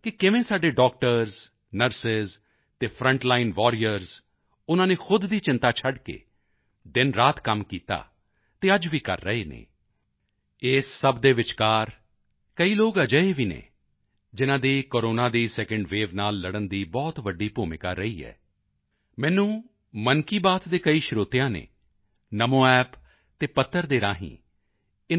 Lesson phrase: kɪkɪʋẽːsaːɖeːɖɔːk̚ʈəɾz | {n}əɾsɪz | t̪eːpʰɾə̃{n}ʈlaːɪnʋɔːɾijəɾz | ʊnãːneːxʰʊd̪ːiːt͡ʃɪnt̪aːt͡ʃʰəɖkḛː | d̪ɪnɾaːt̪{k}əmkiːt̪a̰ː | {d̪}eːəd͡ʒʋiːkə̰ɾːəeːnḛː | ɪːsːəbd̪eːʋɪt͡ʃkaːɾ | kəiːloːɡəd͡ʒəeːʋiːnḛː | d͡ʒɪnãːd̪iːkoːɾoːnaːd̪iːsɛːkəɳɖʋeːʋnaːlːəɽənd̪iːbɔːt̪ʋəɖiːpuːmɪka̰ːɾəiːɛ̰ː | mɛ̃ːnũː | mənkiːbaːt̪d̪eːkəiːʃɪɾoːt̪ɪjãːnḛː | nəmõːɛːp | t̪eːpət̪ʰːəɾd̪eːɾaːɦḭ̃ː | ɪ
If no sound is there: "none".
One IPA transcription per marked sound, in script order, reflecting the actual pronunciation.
n, ɳ, k, t̪

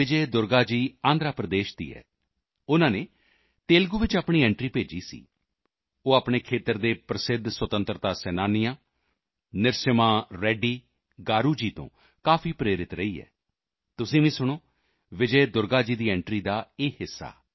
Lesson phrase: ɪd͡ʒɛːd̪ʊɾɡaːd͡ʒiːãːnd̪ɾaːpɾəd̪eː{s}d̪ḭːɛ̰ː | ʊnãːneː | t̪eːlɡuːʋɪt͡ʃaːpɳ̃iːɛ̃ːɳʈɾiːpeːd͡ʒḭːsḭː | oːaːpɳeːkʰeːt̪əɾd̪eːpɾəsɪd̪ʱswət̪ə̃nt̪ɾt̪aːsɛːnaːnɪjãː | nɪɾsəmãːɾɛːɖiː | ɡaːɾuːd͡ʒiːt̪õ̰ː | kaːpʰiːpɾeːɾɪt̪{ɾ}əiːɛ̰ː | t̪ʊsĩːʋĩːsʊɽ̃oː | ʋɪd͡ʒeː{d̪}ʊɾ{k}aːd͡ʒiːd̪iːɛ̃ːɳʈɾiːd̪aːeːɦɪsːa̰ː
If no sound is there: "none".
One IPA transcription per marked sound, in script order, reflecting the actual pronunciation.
ʃ, ɾ, d̪, ɡ

